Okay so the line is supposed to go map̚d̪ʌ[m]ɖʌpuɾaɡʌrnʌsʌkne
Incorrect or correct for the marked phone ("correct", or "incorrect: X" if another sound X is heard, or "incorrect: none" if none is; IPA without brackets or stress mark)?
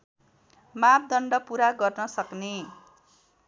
incorrect: ɳ